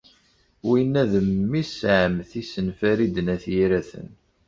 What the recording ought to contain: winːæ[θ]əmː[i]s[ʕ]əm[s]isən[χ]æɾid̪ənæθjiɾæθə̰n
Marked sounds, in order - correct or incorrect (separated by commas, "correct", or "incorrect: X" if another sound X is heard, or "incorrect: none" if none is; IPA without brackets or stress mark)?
incorrect: ð, correct, correct, incorrect: θ, incorrect: f